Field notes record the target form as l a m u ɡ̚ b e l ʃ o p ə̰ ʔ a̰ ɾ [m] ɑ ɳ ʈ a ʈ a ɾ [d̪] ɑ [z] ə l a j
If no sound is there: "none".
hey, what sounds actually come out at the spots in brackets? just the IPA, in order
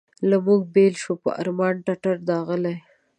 m, d̪, ɣ

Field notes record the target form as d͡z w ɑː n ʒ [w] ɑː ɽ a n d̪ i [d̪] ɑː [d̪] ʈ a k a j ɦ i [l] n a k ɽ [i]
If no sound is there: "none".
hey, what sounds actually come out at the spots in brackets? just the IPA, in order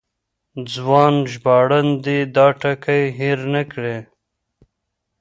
b, d̪, none, ɾ, e

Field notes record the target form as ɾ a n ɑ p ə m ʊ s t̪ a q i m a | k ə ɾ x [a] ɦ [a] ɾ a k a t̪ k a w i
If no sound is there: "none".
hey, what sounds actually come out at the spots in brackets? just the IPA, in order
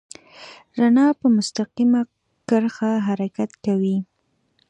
a, a

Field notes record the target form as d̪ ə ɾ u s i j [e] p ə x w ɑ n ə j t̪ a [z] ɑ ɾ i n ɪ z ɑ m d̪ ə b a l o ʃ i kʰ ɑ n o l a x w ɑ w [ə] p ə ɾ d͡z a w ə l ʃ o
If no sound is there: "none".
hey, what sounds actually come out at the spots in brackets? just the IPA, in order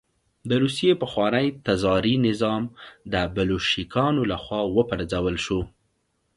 e, z, ə

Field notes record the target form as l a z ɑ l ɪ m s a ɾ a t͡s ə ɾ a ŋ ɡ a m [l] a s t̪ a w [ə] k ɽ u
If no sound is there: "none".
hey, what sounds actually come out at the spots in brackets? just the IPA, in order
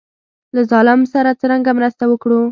ɾ, ə

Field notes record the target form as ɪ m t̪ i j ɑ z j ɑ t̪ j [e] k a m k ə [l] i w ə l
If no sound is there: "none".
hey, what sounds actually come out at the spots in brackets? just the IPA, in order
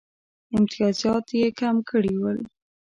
e, ɽ

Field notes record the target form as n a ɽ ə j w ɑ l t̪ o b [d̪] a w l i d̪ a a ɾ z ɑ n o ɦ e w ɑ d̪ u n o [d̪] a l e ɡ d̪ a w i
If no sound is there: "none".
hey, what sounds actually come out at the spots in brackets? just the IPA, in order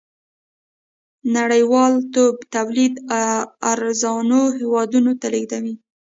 t̪, t̪

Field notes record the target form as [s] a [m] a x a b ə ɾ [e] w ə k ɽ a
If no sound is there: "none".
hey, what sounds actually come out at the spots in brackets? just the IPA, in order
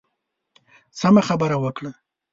s, m, a

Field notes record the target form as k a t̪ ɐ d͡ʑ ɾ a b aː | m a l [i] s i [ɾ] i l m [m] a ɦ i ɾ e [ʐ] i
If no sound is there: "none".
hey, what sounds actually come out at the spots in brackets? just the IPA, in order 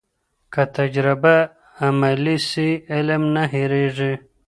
i, none, n, ʐ

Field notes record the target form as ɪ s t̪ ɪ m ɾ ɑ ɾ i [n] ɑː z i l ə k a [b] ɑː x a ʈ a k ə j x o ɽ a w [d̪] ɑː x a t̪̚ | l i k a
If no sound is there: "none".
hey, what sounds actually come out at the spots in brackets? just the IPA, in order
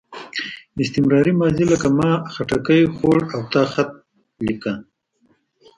m, m, t̪

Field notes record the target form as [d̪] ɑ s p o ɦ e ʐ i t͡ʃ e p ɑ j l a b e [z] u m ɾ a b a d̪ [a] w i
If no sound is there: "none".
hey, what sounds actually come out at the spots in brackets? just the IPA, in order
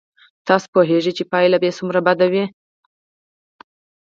t̪, s, a

